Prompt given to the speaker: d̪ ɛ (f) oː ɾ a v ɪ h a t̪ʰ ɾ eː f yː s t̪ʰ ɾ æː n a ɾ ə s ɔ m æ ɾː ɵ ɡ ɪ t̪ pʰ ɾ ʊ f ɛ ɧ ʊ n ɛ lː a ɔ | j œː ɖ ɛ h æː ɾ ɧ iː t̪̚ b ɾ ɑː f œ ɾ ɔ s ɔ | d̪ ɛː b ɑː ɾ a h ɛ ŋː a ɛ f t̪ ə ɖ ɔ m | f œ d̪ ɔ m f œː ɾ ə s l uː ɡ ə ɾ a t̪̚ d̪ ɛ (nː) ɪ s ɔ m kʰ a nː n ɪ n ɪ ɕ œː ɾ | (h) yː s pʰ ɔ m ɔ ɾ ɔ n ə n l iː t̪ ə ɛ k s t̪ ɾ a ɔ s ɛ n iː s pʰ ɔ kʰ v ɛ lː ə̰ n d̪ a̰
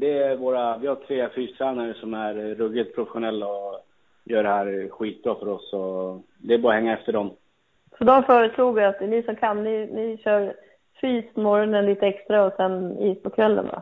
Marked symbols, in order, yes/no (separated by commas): no, no, no